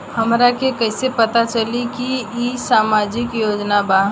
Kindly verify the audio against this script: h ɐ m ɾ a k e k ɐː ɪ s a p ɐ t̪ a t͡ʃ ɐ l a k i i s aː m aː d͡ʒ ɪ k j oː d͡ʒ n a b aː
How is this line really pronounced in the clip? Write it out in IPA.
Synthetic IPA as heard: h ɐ m ɾ a k e k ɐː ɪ s e p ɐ t̪ a t͡ʃ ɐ l i k i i s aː m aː d͡ʒ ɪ k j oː d͡ʒ n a b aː